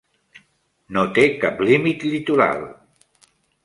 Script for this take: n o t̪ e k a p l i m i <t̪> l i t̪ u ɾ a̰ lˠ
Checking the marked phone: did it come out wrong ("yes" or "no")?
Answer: no